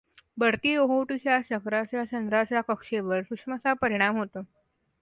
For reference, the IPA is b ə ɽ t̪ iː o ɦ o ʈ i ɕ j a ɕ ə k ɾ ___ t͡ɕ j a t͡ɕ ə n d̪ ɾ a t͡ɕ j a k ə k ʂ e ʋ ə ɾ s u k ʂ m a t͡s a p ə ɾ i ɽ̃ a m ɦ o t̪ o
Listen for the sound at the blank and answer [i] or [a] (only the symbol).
a